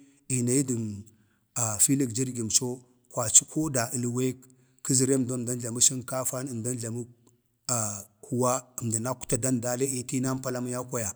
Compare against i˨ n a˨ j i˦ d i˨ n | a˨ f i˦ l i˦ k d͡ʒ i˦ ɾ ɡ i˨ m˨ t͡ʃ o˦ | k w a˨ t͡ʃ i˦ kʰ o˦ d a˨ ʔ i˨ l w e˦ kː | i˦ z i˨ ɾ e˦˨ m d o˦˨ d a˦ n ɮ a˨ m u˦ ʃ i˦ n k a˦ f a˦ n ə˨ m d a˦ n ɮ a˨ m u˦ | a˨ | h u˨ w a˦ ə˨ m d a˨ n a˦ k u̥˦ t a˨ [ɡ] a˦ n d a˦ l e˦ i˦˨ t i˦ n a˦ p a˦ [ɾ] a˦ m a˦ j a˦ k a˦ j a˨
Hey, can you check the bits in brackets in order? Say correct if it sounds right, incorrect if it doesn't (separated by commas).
incorrect, incorrect